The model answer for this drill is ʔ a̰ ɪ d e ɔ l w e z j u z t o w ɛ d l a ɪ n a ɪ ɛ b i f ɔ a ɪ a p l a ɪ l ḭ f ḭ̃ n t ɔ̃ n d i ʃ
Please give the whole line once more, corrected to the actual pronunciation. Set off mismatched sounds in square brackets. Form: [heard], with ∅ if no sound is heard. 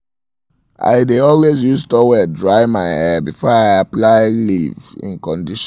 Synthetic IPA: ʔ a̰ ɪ d e ɔ l w e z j u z t [ɔ] w ɛ d [ɹ] a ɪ [m] a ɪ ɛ b i f ɔ a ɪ a p l a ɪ l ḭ [v] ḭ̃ n [k] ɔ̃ n d i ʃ